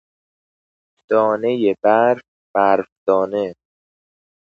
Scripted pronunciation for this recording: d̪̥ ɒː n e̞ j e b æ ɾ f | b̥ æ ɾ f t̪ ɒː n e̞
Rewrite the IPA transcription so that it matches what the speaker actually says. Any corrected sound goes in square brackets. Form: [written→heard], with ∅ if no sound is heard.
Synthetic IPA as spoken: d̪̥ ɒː n e̞ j e b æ ɾ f | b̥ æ ɾ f [t̪→d̪] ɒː n e̞